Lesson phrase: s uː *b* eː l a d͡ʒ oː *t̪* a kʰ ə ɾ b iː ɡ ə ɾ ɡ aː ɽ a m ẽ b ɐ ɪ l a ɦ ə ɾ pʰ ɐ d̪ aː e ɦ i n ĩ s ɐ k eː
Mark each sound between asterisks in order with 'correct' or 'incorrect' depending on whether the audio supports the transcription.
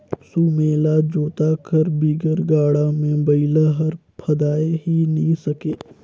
incorrect: m, correct

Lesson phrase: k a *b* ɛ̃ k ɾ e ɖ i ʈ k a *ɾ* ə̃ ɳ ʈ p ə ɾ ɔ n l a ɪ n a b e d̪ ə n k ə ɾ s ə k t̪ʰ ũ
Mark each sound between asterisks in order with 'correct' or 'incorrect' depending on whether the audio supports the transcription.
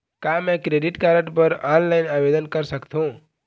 incorrect: m, correct

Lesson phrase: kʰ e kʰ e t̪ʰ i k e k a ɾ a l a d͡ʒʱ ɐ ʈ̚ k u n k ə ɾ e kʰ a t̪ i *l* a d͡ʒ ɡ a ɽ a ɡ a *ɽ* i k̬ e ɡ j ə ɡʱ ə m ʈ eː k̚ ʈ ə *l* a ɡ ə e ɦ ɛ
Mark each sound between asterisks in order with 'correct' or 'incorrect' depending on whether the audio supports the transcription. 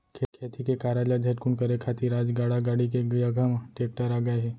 incorrect: ɾ, correct, incorrect: ɾ

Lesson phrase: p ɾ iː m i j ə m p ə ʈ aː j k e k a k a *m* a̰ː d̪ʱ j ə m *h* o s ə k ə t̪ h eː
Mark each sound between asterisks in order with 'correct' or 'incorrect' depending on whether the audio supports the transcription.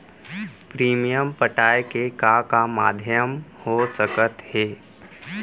correct, correct

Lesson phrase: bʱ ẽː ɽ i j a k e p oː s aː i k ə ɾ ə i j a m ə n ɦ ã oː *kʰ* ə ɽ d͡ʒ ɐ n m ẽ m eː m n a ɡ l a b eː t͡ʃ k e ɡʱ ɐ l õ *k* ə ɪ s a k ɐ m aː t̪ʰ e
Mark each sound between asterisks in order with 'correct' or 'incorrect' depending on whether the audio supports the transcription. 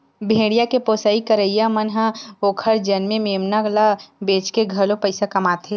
correct, incorrect: p

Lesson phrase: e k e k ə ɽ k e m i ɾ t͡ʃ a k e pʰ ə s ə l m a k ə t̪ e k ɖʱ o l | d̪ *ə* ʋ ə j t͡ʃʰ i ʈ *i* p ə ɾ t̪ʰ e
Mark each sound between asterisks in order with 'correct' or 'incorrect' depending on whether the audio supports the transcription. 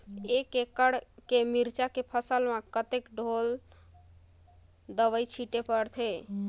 correct, incorrect: e

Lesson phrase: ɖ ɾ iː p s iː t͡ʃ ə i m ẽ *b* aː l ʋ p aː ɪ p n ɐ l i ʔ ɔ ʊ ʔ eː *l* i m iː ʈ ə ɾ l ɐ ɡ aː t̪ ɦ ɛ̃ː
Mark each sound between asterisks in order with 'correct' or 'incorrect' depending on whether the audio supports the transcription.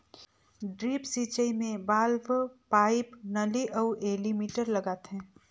correct, correct

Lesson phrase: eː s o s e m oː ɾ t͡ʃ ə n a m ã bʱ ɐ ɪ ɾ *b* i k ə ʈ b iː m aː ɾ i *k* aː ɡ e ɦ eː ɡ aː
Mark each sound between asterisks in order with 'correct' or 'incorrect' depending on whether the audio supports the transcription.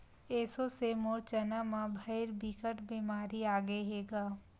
correct, incorrect: none

